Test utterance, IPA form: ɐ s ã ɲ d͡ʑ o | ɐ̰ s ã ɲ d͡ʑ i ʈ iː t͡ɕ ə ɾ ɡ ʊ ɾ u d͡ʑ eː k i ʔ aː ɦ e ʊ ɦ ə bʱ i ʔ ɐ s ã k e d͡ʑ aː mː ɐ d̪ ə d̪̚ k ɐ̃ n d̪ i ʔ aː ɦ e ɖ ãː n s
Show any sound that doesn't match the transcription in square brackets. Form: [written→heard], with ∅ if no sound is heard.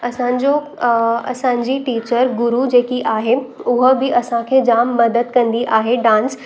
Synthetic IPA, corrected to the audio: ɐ s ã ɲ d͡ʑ o | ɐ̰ s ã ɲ d͡ʑ i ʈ iː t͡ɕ ə ɾ ɡ ʊ ɾ u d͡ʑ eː k i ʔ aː ɦ e ʊ ɦ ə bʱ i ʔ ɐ s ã [k→kʰ] e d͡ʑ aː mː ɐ d̪ ə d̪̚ k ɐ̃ n d̪ i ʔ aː ɦ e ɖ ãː n s